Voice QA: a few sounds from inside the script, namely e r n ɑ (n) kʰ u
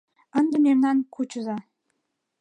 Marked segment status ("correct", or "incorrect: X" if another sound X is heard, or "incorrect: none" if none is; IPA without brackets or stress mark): correct